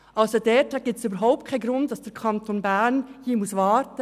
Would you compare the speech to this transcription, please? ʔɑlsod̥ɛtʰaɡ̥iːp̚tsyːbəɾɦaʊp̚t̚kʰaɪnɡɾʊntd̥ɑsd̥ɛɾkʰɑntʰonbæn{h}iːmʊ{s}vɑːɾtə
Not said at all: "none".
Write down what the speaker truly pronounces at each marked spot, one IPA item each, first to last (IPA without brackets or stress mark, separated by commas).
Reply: h, s